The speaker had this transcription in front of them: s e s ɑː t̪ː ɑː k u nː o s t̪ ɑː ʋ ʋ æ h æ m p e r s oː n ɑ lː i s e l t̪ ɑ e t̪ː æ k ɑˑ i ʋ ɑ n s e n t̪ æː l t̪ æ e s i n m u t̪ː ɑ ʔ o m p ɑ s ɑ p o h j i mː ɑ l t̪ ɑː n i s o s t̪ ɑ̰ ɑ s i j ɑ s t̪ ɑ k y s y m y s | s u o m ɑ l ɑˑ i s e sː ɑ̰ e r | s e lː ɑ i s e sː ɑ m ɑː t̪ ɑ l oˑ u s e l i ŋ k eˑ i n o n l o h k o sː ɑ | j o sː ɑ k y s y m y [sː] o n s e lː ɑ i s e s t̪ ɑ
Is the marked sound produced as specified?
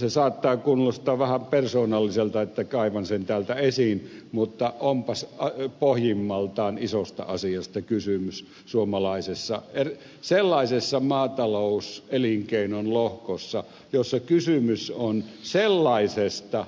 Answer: no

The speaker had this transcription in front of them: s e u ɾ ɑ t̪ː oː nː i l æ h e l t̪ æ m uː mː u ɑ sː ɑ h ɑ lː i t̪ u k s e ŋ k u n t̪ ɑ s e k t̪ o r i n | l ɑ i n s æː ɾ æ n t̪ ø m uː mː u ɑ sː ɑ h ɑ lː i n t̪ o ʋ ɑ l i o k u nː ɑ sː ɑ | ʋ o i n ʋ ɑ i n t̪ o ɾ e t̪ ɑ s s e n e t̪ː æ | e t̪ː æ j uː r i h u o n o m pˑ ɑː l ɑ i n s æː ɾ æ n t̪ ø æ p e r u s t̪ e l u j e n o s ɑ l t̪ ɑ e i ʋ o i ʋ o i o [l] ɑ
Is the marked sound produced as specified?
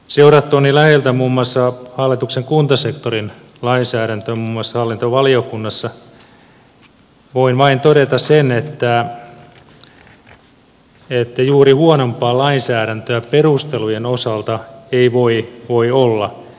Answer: no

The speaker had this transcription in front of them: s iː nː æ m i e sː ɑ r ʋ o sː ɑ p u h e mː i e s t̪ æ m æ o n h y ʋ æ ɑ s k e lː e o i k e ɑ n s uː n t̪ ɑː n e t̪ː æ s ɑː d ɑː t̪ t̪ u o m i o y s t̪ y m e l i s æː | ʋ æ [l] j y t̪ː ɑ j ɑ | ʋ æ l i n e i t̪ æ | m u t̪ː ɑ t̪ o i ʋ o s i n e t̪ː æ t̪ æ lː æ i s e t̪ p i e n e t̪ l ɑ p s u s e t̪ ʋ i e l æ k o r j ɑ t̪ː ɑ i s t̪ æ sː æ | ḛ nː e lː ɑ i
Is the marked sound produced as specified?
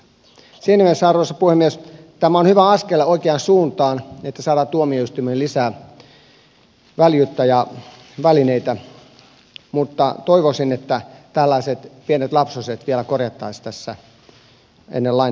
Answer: yes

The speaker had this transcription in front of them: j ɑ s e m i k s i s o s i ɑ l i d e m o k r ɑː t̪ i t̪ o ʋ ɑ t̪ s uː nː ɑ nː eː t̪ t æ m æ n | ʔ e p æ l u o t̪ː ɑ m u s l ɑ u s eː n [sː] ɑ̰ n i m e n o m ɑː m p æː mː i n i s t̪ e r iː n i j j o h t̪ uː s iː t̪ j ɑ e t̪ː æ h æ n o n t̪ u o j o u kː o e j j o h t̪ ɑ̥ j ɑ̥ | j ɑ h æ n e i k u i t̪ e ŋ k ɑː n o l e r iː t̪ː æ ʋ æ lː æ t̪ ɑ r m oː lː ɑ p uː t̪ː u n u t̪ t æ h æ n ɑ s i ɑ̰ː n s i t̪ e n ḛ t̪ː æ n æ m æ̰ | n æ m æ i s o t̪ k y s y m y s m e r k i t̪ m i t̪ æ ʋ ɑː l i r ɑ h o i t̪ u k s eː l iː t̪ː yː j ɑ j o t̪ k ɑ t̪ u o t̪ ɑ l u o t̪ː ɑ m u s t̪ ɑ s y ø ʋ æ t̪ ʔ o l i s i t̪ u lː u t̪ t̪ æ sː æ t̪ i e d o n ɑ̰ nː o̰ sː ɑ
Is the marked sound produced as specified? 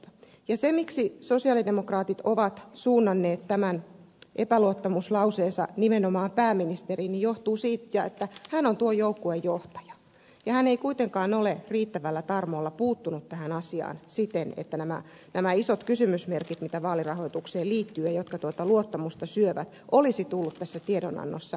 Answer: no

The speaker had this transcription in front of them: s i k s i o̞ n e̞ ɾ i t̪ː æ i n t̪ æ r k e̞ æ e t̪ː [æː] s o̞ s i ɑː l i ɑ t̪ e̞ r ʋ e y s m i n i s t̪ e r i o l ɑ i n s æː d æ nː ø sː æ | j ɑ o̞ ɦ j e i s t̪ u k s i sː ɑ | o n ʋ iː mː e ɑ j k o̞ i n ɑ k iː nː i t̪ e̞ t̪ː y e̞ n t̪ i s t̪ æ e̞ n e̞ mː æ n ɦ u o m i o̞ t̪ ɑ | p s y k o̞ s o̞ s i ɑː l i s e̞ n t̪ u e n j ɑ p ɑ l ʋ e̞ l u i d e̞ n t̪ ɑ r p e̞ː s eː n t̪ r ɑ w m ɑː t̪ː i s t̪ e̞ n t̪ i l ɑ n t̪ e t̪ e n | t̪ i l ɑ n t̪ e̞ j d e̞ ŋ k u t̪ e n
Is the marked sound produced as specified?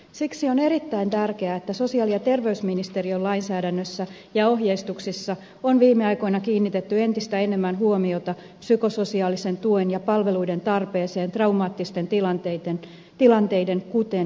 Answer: no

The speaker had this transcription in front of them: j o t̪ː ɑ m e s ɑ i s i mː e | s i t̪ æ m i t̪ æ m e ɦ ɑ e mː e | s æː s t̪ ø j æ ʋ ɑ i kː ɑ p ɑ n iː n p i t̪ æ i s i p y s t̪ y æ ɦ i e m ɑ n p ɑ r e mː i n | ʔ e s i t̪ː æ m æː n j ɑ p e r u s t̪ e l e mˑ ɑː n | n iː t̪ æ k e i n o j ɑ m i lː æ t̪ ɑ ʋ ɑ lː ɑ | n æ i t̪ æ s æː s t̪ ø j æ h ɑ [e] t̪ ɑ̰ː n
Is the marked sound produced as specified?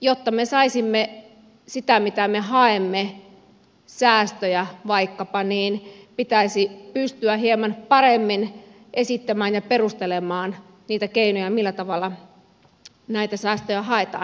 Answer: yes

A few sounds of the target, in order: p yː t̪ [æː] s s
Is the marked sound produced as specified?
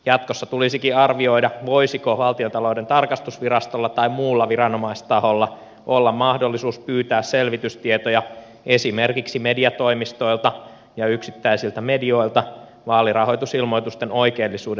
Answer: yes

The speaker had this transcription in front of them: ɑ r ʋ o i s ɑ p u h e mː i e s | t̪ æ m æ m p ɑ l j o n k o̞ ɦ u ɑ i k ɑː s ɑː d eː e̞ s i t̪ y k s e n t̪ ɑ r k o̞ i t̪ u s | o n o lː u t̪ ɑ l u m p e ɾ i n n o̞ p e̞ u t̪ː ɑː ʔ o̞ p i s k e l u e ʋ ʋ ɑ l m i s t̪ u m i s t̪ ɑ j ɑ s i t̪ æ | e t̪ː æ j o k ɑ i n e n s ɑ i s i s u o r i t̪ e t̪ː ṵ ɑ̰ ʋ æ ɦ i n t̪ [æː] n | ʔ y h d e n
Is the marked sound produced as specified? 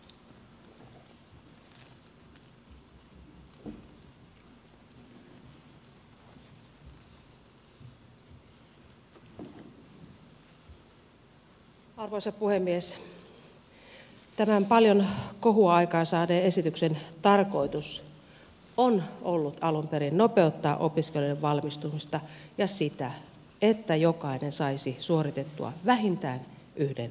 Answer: yes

